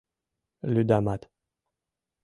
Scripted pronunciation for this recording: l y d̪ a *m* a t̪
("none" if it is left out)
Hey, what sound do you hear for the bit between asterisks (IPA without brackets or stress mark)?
m